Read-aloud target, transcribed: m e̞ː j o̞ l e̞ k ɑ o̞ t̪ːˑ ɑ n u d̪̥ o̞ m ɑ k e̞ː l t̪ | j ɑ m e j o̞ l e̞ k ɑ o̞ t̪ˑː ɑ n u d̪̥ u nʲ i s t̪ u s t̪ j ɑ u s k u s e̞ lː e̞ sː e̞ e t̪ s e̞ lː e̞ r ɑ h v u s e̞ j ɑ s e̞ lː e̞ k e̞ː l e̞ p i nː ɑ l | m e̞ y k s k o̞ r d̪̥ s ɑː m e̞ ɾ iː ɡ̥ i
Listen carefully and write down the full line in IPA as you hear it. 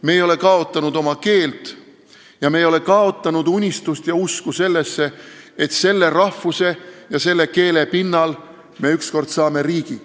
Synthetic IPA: m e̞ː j o̞ l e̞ k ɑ o̞ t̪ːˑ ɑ n u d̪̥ o̞ m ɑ k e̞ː l t̪ | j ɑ m e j o̞ l e̞ k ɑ o̞ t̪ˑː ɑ n u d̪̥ u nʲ i s t̪ u s t̪ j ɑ u s k u s e̞ lː e̞ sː e̞ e t̪ s e̞ lː e̞ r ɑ h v u s e̞ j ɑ s e̞ lː e̞ k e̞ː l e̞ p i nː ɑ l | m e̞ y k s k o̞ r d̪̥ s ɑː m e̞ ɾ iː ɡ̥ i